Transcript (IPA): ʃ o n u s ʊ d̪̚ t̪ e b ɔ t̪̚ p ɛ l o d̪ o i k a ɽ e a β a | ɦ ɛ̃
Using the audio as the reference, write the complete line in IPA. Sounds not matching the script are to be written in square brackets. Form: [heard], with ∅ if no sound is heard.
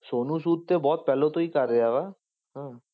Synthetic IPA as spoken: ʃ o n u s [u] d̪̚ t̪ e b ɔ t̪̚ p ɛ l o [t̪] o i k a [ɾ] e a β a | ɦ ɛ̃

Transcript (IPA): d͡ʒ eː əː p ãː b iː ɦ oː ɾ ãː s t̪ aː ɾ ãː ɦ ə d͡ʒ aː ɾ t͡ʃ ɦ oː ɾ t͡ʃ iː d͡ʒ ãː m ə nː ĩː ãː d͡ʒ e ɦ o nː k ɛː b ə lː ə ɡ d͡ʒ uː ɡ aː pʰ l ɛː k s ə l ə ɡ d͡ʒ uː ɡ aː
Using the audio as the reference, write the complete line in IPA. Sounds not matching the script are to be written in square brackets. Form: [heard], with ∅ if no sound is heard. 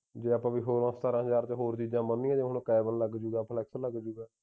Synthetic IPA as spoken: d͡ʒ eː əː p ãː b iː ɦ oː ɾ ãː s t̪ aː ɾ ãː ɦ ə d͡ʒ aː ɾ t͡ʃ ɦ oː ɾ t͡ʃ iː d͡ʒ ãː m ə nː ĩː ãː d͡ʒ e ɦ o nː k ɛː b ə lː ə ɡ d͡ʒ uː ɡ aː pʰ l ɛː k s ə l ə ɡ d͡ʒ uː ɡ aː

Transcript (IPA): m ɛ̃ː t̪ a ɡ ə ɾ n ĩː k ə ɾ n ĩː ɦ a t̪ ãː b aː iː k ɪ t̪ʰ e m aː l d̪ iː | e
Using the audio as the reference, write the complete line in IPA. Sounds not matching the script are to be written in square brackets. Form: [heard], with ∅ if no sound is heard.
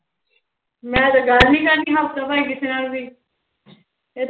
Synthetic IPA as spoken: m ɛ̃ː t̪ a ɡ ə [l] n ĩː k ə ɾ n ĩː ɦ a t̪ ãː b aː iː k ɪ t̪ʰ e [n] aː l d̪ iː | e

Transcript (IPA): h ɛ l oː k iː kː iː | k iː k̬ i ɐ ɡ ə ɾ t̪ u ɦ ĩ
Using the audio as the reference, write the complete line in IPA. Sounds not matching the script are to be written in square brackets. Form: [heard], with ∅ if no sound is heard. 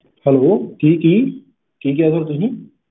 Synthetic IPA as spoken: h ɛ l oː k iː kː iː | k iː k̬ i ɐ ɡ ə ɾ t̪ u ɦ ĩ

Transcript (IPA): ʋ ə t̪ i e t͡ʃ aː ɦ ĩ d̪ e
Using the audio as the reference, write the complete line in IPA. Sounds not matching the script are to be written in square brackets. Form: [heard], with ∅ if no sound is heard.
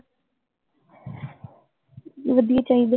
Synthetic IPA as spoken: ʋ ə [d̪] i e t͡ʃ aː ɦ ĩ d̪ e

